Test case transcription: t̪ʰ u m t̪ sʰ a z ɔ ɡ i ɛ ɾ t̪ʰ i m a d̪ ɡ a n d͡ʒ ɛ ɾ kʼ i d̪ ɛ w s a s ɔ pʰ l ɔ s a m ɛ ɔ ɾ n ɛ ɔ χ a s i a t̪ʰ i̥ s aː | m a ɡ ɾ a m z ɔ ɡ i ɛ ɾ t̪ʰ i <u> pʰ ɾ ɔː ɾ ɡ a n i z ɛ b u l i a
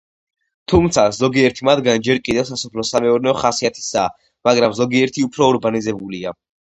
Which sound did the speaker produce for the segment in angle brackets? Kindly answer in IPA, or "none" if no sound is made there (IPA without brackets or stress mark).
u